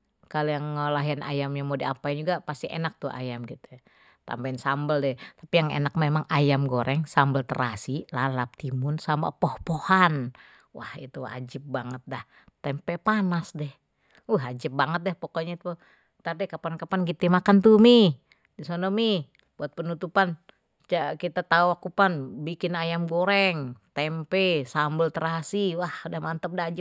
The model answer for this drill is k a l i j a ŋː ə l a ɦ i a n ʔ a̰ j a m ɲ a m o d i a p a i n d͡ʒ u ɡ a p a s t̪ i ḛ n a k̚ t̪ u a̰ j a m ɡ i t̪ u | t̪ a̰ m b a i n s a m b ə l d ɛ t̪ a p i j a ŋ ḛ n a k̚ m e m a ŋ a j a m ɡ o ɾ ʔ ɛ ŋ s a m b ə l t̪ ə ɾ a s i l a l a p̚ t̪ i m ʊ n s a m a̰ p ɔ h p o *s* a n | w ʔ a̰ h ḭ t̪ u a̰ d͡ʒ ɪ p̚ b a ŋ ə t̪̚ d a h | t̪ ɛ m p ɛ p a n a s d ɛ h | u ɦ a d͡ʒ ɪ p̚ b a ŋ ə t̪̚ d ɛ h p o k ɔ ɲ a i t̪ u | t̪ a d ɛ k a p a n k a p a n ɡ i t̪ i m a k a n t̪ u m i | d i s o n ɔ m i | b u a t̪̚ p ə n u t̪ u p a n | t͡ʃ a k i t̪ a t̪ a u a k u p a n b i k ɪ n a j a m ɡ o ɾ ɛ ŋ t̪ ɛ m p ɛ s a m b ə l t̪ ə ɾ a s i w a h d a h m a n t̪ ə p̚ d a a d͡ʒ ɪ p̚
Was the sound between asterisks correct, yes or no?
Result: no